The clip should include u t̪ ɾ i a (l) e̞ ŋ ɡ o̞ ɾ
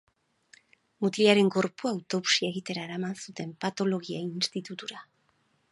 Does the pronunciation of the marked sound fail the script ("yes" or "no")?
yes